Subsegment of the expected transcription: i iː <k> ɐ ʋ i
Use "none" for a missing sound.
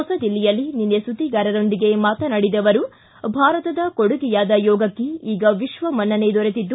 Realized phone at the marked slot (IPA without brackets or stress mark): ɡ